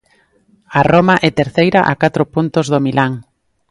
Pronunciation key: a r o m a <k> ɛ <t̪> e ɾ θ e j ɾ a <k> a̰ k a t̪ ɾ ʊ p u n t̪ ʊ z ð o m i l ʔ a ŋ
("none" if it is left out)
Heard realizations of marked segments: ʔ, t̪, ʔ

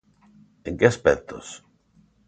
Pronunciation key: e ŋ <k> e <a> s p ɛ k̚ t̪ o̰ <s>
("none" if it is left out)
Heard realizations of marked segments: k, a, s

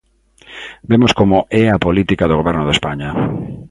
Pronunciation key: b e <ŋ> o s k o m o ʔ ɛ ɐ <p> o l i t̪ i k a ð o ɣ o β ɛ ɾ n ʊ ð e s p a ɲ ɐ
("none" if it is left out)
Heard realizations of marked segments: m, p

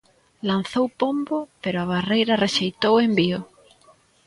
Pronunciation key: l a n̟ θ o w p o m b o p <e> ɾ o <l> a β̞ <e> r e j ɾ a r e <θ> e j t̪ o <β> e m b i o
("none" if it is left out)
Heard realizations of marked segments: e, none, a, ʃ, w

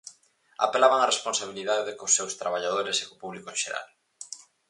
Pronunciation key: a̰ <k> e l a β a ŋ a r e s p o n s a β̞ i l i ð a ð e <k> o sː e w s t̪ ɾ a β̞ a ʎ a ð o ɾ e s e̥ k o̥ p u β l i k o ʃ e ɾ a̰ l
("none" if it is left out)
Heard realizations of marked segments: p, k

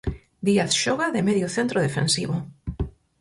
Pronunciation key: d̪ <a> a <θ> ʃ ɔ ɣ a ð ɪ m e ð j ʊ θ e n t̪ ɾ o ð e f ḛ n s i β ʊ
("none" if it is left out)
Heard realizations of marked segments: i, θ

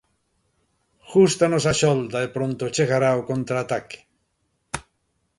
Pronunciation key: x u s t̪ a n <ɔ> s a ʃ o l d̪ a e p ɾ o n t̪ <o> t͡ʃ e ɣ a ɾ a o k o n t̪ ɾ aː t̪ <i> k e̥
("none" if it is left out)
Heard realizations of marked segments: o, o, a

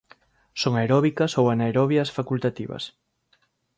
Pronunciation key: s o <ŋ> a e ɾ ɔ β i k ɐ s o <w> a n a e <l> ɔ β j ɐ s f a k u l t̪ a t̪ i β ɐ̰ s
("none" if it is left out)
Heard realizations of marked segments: ŋ, w, ɾ

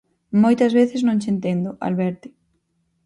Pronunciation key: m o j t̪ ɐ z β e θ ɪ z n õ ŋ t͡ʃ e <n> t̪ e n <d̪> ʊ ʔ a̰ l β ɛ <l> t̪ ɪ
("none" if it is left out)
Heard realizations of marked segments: n, d̪, ɾ

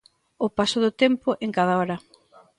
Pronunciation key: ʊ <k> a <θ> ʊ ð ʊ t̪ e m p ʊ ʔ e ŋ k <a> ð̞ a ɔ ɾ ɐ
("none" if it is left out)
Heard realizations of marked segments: p, s, a

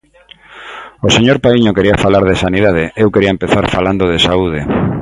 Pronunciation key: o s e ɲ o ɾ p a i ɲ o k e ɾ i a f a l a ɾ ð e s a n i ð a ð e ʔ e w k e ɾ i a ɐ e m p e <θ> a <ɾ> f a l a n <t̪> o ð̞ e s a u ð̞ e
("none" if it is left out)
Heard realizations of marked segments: θ, ɾ, d̪

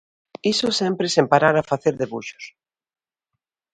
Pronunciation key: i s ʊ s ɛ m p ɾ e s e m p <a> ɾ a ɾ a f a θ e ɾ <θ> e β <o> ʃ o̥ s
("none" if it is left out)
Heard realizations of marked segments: a, ð, u

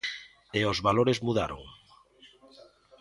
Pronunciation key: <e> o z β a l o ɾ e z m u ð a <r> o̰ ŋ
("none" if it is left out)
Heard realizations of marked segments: e, ɾ

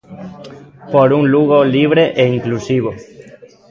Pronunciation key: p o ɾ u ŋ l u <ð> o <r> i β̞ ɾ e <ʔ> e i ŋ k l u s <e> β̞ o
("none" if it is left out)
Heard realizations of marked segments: ɣ, l, ʔ, i

